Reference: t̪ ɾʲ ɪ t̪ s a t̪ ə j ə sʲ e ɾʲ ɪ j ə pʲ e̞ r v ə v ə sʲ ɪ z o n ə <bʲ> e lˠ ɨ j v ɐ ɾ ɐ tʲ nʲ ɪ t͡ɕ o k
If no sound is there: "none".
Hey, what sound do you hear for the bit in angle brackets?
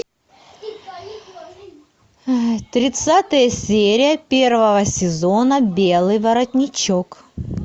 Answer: bʲ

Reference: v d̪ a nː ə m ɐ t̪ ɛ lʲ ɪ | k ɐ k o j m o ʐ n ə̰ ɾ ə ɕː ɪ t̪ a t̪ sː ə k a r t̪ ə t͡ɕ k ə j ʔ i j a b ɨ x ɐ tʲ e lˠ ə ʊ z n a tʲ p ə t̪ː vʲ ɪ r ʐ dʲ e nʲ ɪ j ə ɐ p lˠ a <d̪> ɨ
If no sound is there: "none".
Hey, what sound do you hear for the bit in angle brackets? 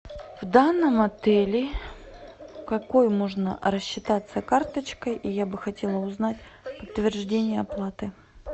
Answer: t̪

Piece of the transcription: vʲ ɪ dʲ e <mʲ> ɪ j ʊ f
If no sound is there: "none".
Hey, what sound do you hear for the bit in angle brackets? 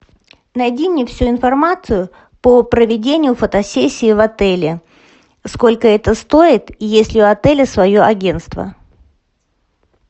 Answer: nʲ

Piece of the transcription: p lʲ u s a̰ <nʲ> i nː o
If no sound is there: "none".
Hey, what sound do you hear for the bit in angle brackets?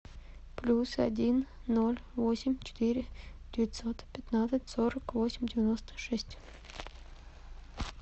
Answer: dʲ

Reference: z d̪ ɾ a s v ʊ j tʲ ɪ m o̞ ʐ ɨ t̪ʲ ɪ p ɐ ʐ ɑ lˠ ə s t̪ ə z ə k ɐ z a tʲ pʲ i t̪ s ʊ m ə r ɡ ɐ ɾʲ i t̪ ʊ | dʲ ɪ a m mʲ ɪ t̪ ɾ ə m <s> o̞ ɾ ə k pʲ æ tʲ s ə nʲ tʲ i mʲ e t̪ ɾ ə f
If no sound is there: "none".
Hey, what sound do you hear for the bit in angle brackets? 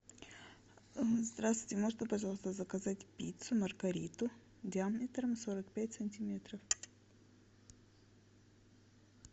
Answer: s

